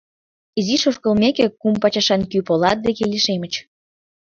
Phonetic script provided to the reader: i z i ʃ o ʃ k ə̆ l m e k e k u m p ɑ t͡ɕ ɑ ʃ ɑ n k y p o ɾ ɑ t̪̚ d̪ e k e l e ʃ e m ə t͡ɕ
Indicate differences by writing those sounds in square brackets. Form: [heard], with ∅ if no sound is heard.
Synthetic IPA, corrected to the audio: i z i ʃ o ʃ k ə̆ l m e k e k u m p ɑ t͡ɕ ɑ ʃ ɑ n k y p o [l] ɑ t̪̚ d̪ e k e l [i] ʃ e m ə t͡ɕ